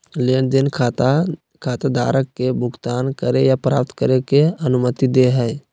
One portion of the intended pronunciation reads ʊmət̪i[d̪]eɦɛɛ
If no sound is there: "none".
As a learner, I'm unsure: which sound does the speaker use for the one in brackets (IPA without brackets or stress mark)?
d̪